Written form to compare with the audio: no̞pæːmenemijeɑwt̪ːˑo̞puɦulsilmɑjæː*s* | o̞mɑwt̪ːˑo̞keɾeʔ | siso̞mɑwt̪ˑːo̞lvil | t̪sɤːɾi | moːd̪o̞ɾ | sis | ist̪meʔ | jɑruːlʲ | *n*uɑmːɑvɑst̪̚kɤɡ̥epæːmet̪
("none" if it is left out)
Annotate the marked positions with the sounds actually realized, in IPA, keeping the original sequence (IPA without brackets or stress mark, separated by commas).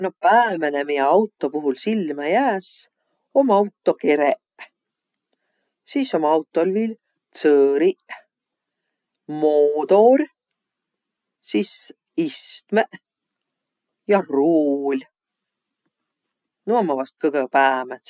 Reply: s, n